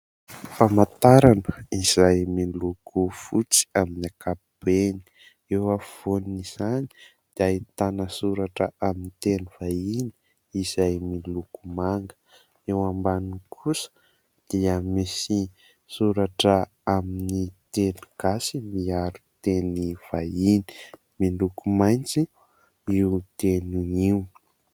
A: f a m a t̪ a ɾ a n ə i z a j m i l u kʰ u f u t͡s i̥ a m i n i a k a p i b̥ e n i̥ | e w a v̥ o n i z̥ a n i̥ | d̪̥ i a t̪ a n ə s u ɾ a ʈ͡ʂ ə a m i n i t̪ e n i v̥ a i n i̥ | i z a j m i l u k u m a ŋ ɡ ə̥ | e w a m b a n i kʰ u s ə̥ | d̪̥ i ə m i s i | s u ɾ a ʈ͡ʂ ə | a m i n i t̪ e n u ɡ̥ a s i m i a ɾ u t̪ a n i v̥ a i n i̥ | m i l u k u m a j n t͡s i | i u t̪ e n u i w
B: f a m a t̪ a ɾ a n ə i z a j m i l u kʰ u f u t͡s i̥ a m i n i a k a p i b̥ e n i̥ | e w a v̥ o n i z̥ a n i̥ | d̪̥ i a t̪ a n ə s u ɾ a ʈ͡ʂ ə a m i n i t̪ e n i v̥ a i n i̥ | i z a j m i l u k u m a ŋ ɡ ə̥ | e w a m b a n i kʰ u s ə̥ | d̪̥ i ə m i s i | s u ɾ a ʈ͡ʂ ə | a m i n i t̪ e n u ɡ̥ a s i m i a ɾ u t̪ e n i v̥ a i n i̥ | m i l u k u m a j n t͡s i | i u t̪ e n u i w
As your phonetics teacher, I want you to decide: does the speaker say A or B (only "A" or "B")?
B